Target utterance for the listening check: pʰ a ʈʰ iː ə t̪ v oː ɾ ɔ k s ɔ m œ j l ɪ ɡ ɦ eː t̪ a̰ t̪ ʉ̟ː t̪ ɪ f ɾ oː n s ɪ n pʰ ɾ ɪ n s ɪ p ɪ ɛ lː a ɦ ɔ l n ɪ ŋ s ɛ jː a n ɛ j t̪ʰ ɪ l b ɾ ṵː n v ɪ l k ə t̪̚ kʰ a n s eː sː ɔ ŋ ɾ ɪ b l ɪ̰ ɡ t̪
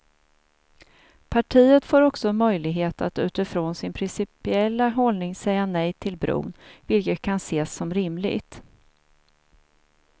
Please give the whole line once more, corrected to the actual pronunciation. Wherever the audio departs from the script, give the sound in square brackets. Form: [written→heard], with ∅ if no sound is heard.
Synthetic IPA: pʰ a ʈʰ iː ə t̪ [v→f] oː ɾ ɔ k s ɔ m œ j l ɪ ɡ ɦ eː t̪ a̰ t̪ ʉ̟ː t̪ ɪ f ɾ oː n s ɪ n pʰ ɾ ɪ n s ɪ p ɪ ɛ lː a ɦ ɔ l n ɪ ŋ s ɛ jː a n ɛ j t̪ʰ ɪ l b ɾ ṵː n v ɪ l k ə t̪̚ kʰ a n s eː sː ɔ [ŋ→m] ɾ ɪ [b→m] l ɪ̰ ɡ t̪